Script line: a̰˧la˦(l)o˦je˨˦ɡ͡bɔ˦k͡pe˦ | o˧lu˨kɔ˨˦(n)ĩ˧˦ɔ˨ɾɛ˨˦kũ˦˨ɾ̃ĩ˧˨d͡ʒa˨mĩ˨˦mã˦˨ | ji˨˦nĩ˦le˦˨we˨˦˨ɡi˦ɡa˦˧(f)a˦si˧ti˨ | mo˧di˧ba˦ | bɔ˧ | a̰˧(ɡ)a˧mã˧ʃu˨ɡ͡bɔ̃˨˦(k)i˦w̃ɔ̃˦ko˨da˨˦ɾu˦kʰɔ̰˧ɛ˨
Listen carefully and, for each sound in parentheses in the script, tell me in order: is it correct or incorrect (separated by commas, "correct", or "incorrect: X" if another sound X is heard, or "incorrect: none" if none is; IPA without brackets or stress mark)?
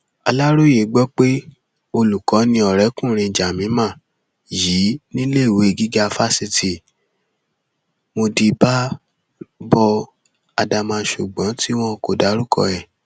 incorrect: ɾ, correct, correct, incorrect: d, incorrect: t